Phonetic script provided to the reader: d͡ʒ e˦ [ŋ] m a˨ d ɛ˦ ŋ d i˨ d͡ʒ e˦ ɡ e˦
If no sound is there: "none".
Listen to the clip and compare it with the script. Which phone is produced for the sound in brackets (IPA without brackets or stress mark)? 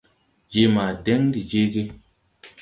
none